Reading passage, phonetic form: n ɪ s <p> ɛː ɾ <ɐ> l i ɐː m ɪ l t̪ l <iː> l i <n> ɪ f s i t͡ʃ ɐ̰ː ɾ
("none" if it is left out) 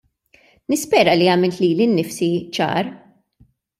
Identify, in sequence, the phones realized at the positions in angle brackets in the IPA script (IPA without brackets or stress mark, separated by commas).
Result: p, ɐ, iː, nː